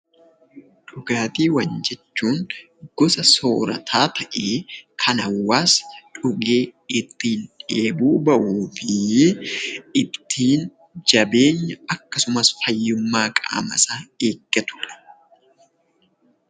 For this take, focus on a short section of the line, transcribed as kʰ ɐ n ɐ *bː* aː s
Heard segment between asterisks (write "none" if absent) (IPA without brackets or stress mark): wː